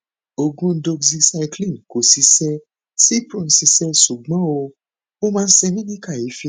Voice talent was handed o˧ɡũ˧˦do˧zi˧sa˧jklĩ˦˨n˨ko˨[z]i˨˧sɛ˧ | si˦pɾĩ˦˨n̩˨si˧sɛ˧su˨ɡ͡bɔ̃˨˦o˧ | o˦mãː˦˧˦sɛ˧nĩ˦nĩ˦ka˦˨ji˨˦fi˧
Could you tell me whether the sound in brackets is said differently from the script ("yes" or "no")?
yes